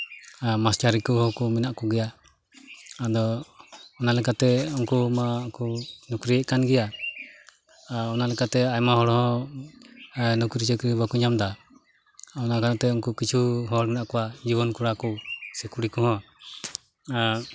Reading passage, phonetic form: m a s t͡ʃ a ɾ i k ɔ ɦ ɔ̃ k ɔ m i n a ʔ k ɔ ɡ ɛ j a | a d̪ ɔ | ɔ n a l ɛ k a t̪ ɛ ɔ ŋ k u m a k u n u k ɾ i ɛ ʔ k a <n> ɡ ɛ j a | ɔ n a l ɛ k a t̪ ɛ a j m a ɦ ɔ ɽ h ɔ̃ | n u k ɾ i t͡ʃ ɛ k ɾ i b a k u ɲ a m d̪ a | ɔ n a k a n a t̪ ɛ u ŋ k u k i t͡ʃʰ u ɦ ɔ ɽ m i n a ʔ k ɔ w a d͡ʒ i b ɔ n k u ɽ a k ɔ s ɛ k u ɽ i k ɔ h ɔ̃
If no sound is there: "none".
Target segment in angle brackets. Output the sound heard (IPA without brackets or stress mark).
n